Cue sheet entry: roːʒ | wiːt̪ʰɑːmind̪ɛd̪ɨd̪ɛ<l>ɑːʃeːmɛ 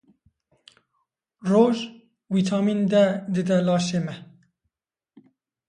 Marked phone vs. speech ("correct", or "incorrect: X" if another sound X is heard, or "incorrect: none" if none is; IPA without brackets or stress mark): correct